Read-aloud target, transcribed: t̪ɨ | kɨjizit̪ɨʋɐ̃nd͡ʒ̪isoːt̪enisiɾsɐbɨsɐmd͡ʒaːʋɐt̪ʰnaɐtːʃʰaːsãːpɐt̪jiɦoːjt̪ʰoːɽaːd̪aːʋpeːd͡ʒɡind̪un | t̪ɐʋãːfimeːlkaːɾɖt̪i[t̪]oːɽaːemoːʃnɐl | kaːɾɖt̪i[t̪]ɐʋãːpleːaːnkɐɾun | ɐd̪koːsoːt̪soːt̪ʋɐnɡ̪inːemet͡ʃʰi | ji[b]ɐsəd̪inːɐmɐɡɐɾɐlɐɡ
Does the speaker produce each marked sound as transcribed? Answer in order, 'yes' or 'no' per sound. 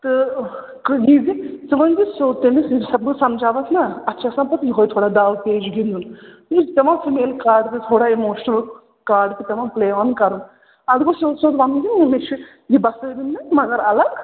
no, yes, yes

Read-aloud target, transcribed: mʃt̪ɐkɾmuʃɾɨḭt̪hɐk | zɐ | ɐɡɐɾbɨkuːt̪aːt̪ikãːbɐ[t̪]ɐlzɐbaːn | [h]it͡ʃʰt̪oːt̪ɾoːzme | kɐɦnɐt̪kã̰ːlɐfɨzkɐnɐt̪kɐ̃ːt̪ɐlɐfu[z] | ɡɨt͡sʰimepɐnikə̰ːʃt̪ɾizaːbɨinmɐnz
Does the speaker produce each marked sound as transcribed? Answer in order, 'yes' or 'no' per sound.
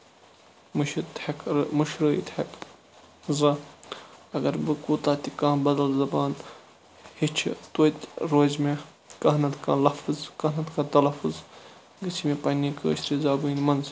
no, yes, yes

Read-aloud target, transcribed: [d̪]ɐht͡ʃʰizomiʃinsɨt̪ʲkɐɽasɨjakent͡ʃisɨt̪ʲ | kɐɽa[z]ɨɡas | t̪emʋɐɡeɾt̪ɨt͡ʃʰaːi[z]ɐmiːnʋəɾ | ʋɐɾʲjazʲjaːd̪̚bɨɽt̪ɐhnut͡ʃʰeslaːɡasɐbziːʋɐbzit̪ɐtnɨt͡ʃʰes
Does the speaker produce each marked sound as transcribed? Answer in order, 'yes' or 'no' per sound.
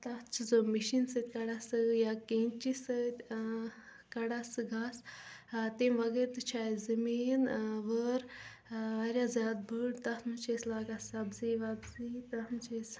no, no, yes

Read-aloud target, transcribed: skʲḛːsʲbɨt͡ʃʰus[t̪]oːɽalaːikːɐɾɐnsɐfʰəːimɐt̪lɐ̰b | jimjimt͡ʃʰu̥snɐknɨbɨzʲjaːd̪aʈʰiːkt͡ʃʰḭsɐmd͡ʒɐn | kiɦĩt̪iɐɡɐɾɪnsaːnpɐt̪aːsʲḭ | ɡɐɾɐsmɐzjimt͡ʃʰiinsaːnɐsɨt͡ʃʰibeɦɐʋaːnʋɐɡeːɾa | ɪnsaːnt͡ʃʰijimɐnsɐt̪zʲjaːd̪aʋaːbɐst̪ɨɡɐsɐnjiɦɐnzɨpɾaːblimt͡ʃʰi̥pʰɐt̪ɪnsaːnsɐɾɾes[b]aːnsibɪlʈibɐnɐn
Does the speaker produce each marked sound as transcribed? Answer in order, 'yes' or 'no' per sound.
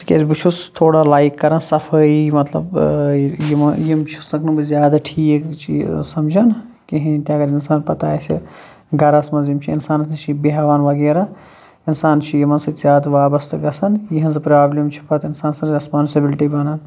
no, no

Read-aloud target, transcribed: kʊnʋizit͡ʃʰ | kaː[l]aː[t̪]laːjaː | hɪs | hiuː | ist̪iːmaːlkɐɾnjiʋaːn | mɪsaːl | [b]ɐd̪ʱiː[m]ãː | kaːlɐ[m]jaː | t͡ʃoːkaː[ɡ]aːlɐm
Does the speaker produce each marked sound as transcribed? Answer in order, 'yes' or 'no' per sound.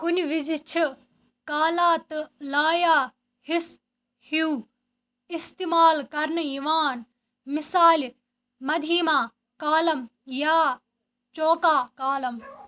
yes, yes, no, yes, yes, no

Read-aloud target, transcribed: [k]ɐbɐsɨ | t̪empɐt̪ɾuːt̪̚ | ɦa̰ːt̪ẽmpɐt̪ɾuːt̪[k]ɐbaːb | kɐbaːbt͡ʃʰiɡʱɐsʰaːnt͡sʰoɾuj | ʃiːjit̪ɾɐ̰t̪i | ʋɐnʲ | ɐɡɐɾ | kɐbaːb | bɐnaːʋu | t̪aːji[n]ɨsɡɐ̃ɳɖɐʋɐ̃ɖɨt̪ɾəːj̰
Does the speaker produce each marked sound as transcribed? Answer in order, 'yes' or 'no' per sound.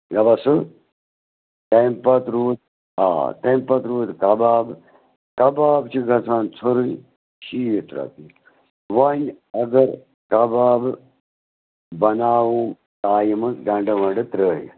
no, yes, no

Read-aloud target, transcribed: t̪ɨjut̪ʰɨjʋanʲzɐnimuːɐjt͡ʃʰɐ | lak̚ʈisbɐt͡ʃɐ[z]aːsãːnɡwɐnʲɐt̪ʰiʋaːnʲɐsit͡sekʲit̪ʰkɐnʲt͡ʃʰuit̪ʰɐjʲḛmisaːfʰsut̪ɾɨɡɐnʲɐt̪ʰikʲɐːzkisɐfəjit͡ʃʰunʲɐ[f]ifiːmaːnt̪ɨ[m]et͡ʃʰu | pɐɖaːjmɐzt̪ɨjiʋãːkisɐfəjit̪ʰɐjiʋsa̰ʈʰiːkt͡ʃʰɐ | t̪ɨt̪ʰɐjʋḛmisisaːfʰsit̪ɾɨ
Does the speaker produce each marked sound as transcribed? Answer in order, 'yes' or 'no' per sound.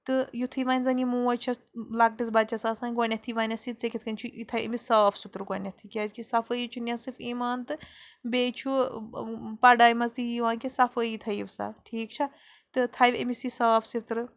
no, no, no

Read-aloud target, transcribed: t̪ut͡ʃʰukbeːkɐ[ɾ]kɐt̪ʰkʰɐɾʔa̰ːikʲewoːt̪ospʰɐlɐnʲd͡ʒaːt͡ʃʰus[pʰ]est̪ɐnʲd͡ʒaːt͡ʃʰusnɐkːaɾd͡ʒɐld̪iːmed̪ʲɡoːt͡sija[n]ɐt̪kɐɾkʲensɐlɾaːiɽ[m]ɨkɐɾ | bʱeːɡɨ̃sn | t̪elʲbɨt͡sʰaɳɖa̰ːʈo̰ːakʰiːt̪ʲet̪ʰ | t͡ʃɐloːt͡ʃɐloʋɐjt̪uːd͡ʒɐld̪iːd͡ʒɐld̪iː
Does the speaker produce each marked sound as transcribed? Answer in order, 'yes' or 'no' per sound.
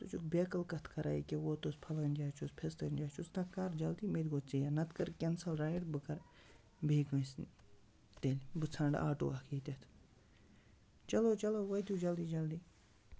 no, yes, yes, no

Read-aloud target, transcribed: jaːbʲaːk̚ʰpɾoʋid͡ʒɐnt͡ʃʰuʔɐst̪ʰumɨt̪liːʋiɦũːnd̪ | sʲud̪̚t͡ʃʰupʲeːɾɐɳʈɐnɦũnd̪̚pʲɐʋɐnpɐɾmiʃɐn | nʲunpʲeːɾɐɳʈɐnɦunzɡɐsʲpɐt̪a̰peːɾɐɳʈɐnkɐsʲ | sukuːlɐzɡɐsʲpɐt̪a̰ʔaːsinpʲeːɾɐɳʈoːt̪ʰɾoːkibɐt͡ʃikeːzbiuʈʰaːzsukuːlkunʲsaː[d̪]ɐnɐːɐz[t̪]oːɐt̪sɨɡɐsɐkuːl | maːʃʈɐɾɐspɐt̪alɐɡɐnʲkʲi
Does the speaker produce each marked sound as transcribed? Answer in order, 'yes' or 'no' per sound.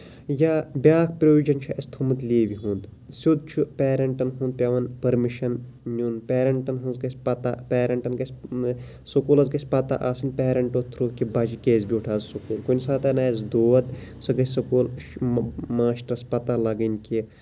no, no

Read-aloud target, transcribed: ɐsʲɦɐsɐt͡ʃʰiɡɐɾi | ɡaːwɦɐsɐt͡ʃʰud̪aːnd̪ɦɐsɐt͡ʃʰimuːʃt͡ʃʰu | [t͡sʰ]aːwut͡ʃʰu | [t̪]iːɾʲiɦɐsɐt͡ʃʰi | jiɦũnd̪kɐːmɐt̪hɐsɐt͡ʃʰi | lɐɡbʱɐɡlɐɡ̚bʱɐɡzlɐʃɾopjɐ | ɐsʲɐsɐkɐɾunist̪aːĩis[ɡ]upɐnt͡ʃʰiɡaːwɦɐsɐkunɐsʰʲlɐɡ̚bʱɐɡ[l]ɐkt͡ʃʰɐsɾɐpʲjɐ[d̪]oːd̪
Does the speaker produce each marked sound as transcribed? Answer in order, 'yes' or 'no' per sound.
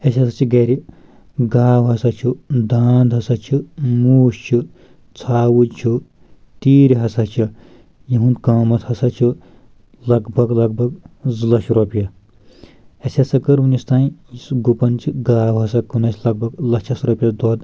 yes, yes, yes, yes, yes

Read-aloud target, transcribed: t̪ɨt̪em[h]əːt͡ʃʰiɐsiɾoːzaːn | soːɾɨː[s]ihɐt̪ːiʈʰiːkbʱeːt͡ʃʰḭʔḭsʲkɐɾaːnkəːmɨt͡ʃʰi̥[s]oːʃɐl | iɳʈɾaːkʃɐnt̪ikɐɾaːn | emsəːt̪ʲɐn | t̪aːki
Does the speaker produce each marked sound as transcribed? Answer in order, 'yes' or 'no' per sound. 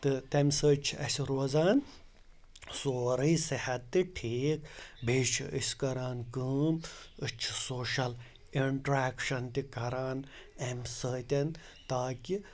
no, yes, yes

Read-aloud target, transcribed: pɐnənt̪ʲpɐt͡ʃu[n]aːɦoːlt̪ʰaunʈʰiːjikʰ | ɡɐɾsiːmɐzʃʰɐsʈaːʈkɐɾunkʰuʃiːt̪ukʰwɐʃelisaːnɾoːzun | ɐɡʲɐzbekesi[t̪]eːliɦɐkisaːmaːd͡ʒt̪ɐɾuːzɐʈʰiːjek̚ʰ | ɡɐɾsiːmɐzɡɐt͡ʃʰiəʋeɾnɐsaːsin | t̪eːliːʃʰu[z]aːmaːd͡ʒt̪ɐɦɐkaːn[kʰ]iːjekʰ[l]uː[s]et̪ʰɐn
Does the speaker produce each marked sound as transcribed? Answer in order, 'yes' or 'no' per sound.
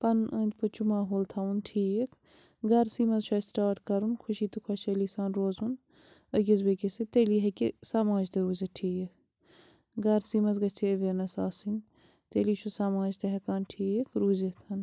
no, yes, no, no, no, no

